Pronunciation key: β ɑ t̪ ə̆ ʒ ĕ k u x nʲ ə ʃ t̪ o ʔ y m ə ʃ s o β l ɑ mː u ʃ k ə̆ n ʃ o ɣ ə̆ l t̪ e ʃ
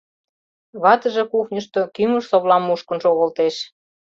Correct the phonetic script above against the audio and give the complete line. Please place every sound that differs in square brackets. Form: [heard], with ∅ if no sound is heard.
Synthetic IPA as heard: β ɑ t̪ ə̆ ʒ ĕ k u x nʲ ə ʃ t̪ o [k] y m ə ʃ s o β l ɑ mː u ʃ k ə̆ n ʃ o ɣ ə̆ l t̪ e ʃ